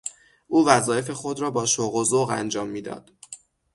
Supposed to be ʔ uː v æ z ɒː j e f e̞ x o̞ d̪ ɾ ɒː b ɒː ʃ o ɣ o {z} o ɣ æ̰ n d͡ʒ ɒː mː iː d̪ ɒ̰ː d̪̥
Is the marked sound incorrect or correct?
correct